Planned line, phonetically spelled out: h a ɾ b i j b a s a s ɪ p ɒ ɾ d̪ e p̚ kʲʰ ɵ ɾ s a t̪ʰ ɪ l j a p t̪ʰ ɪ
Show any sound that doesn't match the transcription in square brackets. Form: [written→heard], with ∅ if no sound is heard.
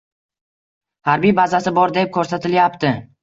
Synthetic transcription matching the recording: h a ɾ b i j b a [s→z] a s ɪ [p→b] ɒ ɾ d̪ e p̚ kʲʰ ɵ ɾ s a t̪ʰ ɪ l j a p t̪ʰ ɪ